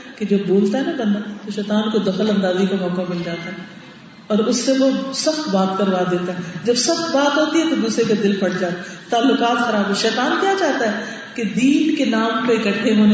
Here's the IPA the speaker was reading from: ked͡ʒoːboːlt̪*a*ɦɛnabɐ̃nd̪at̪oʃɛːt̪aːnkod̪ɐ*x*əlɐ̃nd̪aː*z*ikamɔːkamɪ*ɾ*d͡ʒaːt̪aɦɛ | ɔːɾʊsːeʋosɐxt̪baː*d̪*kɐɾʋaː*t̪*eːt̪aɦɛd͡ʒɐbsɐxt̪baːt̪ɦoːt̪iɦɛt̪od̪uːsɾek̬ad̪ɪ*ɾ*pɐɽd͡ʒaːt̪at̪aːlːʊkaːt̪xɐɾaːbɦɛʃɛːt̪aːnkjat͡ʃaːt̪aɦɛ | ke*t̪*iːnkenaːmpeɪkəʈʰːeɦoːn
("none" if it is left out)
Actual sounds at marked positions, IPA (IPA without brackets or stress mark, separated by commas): a, x, z, l, t̪, d̪, l, d̪